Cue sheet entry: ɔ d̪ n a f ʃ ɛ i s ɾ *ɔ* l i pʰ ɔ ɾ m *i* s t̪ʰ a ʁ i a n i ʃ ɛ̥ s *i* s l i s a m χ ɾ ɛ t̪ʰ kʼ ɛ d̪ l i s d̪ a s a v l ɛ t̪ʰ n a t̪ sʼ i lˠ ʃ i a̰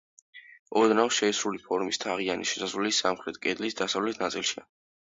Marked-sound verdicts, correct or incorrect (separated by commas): incorrect, correct, incorrect